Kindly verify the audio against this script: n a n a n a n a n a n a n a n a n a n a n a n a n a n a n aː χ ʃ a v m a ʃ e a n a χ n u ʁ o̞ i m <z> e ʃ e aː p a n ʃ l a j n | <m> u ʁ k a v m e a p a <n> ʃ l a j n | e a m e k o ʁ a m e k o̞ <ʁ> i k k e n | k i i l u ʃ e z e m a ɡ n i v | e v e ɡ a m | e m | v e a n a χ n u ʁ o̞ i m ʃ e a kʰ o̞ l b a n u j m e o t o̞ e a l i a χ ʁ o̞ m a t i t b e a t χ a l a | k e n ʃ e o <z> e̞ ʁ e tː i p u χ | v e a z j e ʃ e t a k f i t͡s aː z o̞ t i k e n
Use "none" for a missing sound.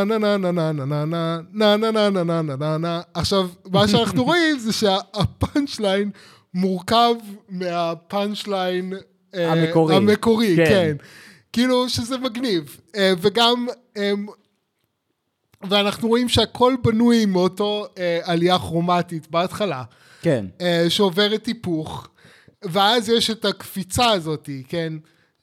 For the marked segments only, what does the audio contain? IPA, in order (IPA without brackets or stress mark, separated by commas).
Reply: z, m, n, ʁ, v